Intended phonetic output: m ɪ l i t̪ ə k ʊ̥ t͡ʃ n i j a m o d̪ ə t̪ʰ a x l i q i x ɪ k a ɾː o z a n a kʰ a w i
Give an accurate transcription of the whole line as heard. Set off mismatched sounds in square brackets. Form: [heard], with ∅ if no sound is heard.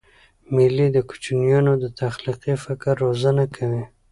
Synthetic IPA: m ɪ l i [d̪] ə k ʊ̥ t͡ʃ n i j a [n] o d̪ ə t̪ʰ a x l i q i [f] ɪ k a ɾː o z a n a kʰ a w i